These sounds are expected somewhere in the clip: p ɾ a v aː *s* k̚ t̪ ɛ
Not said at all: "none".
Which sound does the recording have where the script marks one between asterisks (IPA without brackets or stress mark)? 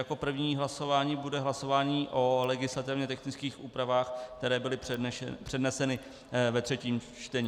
x